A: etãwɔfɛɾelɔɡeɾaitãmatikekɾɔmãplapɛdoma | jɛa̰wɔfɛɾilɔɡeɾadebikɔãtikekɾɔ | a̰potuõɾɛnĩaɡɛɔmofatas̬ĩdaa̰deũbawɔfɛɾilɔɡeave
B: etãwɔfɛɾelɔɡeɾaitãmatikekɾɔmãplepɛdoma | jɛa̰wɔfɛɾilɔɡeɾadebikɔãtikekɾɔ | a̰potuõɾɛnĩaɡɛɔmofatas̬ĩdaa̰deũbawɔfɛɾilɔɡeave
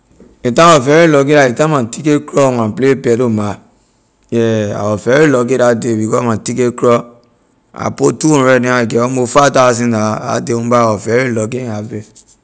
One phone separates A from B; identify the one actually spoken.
B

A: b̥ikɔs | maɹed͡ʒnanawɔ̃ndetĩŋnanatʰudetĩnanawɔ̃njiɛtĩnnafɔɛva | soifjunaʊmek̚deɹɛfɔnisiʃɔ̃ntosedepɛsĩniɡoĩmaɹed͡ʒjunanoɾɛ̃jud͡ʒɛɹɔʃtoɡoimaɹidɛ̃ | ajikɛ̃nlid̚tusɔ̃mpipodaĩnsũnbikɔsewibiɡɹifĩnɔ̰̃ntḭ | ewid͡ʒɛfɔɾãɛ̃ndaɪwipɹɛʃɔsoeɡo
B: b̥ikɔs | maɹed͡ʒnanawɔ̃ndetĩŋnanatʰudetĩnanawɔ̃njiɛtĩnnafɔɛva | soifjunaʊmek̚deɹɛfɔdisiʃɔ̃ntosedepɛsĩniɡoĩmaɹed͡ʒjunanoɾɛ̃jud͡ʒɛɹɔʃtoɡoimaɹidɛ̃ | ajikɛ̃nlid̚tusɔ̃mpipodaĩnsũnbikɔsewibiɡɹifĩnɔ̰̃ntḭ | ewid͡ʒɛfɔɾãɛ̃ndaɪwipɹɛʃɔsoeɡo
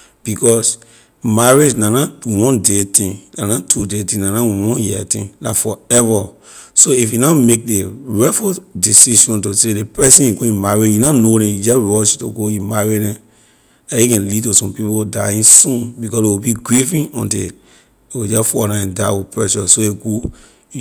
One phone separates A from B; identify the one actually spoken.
B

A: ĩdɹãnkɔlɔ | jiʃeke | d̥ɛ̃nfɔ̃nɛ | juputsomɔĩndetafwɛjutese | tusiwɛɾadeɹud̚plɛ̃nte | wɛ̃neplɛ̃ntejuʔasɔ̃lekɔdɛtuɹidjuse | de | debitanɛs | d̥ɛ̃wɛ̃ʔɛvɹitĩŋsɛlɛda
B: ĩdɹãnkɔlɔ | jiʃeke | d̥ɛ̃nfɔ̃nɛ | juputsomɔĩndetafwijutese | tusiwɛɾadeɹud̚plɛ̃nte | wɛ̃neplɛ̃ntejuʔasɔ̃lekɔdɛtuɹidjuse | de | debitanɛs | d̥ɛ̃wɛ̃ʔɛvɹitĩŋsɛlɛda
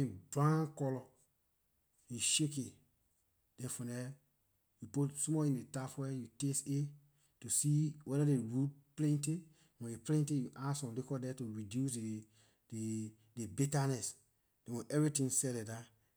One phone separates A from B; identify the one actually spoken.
A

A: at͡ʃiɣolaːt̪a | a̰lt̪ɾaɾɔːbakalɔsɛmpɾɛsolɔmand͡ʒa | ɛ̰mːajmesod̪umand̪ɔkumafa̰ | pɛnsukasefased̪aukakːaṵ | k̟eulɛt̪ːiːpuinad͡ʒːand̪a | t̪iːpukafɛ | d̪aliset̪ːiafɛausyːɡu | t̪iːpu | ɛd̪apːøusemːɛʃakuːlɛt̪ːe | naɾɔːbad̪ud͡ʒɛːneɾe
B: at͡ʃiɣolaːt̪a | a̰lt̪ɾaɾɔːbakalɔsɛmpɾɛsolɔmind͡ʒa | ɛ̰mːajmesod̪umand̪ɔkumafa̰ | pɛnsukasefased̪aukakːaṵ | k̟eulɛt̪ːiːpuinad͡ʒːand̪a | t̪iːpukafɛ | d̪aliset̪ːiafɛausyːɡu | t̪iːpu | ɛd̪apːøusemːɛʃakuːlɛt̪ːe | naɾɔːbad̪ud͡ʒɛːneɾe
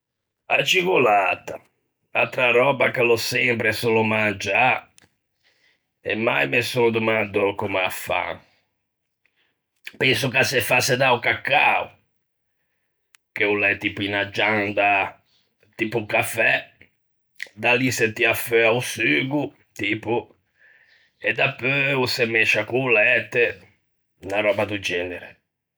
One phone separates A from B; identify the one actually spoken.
A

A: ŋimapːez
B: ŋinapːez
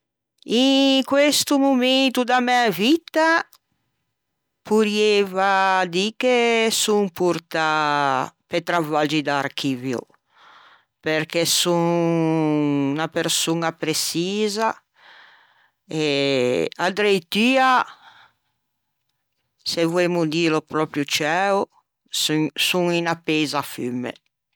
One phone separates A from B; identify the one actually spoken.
B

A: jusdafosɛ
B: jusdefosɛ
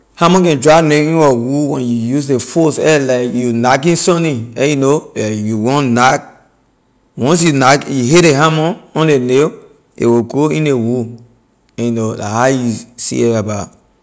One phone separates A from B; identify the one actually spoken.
B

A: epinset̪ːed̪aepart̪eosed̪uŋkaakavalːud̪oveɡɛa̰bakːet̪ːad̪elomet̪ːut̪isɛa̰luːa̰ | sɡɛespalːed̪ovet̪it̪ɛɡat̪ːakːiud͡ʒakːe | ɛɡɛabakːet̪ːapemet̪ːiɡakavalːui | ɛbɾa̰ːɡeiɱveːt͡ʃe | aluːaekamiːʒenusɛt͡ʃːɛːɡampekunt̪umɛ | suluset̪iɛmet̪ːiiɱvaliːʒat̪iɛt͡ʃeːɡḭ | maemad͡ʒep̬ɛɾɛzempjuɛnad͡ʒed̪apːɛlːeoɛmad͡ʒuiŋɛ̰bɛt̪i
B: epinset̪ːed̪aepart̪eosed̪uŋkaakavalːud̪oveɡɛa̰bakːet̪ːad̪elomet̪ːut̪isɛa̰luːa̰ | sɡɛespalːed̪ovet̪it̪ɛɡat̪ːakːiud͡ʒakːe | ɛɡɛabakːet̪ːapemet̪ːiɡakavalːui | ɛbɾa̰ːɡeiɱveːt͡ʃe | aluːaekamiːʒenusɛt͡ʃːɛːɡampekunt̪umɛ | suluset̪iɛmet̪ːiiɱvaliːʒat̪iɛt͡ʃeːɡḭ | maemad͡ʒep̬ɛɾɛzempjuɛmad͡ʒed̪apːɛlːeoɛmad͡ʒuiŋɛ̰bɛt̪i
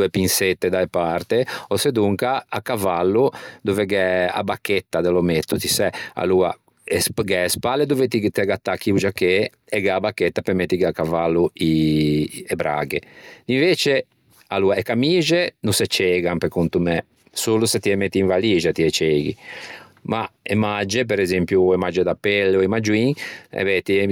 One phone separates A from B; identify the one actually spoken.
B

